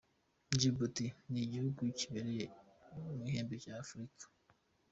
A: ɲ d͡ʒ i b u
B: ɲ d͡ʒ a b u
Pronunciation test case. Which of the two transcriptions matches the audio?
A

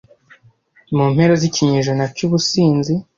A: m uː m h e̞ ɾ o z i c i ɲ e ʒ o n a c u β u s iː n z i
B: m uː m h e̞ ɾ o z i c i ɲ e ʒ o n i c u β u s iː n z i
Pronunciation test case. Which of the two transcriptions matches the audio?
A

